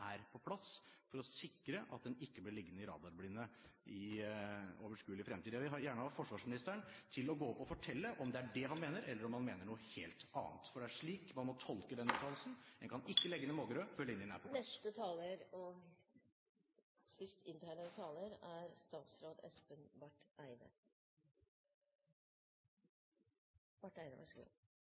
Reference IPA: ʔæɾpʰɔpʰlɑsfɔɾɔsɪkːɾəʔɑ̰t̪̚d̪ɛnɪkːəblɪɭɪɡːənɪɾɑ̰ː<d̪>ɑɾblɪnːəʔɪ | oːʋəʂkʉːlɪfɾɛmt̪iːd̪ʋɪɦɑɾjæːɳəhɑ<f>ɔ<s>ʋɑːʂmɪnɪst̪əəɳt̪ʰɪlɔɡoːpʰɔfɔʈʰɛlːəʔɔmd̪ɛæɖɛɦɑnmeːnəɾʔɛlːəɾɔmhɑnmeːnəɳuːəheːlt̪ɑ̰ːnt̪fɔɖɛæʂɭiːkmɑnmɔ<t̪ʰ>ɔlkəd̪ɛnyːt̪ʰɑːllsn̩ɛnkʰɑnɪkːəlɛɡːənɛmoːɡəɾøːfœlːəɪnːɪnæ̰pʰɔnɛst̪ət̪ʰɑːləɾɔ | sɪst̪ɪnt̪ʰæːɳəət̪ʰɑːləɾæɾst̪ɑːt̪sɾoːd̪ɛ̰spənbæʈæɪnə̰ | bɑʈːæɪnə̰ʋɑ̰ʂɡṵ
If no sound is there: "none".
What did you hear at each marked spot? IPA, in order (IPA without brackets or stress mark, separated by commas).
d̪, f, ʂ, t̪ʰ